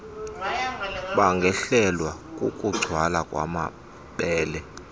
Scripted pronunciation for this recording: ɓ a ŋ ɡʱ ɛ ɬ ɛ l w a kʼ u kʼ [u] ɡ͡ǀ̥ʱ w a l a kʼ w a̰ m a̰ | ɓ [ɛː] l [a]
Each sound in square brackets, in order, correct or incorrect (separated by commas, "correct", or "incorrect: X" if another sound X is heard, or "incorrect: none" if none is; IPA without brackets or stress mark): correct, correct, incorrect: ɛ